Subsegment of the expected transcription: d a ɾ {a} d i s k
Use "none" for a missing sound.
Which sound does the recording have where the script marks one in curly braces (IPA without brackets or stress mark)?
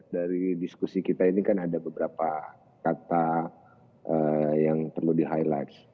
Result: i